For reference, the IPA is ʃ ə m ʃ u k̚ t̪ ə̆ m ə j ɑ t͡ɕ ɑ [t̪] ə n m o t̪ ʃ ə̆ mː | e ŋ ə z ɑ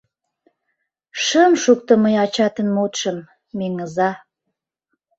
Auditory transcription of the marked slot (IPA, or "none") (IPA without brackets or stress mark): t̪